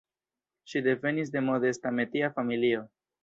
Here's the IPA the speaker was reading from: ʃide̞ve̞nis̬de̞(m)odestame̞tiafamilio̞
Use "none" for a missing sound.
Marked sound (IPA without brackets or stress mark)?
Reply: m